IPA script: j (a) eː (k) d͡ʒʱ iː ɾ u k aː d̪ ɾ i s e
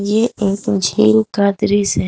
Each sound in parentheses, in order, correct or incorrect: incorrect: e, correct

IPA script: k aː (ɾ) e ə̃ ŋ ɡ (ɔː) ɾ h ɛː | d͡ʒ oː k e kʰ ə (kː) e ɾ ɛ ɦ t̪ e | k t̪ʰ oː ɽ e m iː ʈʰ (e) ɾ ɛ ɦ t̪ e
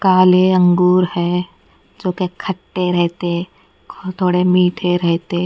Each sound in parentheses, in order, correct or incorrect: incorrect: l, incorrect: uː, incorrect: ʈː, correct

